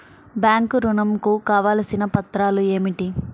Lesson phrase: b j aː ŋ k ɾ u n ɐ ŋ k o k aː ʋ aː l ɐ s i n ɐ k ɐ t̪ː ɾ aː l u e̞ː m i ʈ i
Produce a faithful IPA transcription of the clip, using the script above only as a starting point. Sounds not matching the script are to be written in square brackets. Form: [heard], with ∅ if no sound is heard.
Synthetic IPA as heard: b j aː ŋ k ɾ u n ɐ [m] k [u] k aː ʋ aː l ɐ s i n ɐ [p] ɐ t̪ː ɾ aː l u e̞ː m i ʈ i